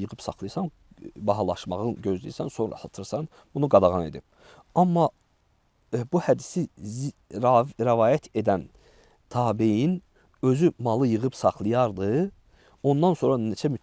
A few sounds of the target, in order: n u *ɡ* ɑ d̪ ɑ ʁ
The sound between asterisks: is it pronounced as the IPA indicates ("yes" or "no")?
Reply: yes